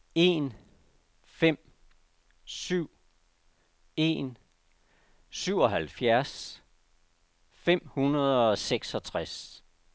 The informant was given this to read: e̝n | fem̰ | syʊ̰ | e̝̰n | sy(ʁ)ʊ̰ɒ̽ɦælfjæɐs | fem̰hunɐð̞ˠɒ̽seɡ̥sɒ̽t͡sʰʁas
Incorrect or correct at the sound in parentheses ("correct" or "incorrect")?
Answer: incorrect